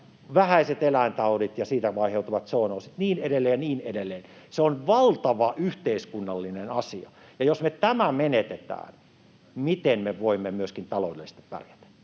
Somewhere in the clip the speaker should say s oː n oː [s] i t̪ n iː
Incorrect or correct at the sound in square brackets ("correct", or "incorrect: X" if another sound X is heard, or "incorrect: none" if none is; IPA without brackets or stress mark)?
correct